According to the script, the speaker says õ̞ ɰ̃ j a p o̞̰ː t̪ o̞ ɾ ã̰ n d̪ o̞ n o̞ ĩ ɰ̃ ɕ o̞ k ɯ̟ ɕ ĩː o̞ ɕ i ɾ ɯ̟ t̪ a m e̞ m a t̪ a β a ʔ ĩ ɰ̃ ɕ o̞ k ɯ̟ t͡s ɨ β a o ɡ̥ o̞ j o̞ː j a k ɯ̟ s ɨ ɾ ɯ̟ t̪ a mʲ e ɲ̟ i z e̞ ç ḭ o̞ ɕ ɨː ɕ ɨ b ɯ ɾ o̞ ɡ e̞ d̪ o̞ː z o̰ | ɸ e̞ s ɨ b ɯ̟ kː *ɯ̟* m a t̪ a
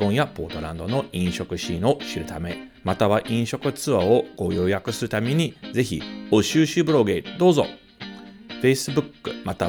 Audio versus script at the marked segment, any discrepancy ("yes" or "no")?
no